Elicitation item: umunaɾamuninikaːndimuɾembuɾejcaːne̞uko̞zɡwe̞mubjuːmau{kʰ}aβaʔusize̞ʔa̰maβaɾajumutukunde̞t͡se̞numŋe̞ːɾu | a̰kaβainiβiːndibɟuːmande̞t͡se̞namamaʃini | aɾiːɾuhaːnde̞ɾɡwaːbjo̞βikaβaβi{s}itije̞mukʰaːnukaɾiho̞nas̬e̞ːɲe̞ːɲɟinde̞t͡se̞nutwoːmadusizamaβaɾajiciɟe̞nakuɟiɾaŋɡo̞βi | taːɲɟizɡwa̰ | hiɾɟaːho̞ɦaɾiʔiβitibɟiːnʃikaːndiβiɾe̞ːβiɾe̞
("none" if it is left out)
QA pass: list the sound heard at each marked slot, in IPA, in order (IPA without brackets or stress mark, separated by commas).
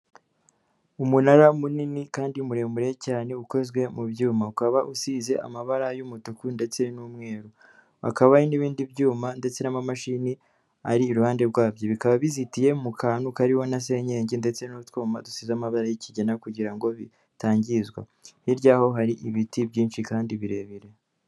k, z